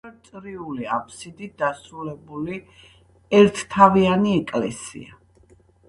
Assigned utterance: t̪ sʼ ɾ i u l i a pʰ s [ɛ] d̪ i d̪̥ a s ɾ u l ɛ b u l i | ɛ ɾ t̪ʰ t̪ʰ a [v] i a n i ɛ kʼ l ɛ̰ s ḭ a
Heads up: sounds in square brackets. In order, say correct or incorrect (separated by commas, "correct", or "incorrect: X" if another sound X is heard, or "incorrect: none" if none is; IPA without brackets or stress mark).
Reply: incorrect: i, correct